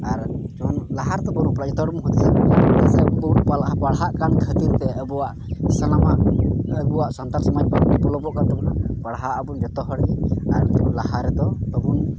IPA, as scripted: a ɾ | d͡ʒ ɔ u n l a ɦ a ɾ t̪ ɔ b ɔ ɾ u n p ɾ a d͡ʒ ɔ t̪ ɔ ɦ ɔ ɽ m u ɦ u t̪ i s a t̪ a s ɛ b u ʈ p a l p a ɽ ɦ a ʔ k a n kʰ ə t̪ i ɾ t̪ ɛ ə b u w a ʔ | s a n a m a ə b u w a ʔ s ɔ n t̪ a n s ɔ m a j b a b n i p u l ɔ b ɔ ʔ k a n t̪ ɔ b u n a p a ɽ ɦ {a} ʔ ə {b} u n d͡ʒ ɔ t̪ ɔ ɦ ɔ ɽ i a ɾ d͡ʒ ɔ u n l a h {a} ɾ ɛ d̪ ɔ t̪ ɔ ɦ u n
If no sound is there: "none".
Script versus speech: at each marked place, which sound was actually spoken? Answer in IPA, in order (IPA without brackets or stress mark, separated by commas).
a, b, a